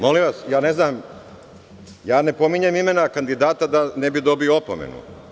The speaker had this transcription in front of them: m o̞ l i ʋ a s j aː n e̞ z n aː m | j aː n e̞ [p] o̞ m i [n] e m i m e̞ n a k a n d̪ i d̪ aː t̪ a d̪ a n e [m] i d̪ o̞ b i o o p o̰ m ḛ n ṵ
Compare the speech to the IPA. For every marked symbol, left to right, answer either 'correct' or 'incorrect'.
correct, incorrect: ɲ, incorrect: b

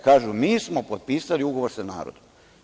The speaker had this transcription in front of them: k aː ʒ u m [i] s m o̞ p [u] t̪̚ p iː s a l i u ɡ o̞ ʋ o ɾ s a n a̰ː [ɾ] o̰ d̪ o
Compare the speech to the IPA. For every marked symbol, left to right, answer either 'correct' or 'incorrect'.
incorrect: iː, incorrect: o, correct

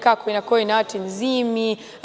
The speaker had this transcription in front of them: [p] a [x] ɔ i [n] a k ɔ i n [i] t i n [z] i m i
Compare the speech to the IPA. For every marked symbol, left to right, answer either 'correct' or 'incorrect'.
incorrect: k, incorrect: k, correct, incorrect: a, correct

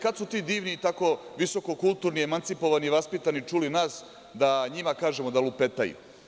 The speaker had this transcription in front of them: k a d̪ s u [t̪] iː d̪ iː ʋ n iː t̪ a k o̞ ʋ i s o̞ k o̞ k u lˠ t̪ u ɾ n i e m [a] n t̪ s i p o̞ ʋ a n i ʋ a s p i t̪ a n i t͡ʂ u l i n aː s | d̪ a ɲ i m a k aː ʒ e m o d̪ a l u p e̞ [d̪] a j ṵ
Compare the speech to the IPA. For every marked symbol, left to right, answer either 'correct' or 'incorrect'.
correct, correct, incorrect: t̪

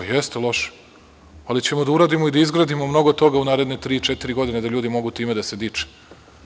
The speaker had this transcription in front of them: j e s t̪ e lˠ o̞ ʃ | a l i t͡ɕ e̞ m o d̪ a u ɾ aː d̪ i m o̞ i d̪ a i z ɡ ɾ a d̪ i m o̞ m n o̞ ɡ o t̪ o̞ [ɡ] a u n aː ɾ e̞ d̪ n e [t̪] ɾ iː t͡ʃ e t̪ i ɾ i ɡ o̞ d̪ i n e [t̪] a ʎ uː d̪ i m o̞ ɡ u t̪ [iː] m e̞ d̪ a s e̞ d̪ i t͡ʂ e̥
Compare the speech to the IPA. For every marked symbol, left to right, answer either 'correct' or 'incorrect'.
correct, correct, incorrect: d̪, correct

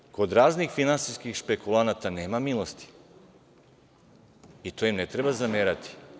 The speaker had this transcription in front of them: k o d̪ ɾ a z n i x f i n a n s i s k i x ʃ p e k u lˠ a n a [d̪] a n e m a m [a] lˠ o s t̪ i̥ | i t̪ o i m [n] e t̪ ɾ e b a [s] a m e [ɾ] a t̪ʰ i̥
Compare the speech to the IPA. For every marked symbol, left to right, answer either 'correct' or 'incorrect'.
incorrect: t̪, incorrect: i, correct, incorrect: z, correct

